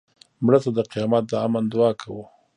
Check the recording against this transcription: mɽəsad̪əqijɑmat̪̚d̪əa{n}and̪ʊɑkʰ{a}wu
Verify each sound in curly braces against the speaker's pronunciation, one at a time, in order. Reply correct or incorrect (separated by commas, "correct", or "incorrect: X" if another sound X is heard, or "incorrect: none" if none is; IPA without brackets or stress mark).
incorrect: m, correct